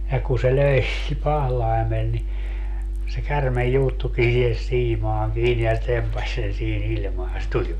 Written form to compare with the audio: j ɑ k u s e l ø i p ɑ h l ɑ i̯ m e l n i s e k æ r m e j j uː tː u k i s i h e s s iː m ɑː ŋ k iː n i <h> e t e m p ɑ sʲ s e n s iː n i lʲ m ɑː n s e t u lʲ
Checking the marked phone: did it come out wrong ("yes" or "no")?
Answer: yes